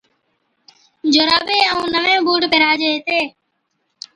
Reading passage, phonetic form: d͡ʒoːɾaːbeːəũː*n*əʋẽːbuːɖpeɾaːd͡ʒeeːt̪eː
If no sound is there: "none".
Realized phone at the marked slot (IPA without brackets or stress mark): n